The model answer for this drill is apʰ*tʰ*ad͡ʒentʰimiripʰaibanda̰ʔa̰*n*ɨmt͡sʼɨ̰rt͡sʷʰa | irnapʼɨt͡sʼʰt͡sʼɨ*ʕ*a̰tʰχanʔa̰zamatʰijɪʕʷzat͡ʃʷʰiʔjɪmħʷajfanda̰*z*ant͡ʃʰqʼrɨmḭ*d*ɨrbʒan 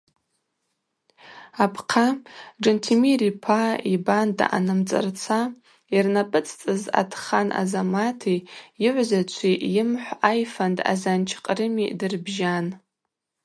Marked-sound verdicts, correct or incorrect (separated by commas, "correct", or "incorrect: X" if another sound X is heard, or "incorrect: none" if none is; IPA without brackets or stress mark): incorrect: qʰ, correct, incorrect: z, correct, correct